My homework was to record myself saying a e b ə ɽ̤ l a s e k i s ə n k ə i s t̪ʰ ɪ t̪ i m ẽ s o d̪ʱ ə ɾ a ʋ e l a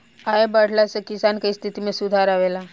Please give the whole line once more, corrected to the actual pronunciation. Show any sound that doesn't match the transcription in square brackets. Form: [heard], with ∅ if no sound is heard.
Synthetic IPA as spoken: a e b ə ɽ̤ l a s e k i s [a] n k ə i s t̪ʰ [i] t̪ i m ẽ s [u] d̪ʱ [a] ɾ a ʋ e l a